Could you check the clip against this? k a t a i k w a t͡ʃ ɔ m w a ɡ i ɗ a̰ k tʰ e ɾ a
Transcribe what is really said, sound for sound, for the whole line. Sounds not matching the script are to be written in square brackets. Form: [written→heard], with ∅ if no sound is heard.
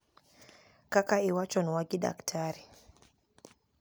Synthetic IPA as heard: k a [t→k] a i [k→∅] w a t͡ʃ ɔ [m→n] w a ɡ i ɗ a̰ k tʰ [e→a] ɾ [a→i]